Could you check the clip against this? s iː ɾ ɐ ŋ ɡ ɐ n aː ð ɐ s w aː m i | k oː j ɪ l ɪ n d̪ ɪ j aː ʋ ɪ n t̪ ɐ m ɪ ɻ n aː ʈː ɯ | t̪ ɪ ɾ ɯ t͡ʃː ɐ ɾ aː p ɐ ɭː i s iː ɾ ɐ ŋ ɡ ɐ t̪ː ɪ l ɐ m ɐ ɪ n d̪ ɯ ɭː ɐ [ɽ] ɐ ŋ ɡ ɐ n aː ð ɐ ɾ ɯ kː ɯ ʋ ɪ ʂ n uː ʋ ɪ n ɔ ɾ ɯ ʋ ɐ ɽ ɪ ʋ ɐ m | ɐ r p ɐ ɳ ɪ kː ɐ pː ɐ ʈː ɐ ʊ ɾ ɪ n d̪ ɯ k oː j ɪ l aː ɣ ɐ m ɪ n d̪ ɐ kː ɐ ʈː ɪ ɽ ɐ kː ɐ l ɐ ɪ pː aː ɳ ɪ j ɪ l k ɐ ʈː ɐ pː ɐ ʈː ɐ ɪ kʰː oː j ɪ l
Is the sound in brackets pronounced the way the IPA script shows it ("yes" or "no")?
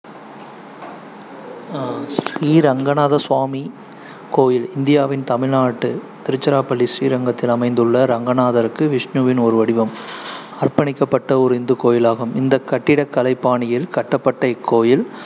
no